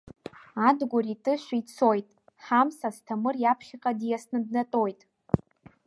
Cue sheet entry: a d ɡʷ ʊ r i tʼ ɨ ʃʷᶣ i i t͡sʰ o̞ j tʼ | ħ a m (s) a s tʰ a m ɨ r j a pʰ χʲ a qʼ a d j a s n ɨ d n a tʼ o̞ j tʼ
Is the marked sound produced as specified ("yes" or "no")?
yes